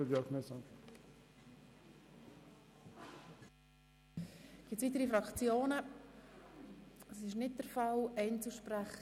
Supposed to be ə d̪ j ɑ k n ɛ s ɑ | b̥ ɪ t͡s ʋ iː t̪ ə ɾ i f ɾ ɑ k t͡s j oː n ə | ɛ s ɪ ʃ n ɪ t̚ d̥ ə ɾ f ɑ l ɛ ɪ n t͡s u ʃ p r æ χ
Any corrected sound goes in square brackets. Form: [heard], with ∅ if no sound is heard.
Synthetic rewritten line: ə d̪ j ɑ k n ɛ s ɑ | [ɡ̥] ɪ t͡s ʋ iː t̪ ə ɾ i f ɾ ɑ k t͡s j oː n ə | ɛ s ɪ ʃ n ɪ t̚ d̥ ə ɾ f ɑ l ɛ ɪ n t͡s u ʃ p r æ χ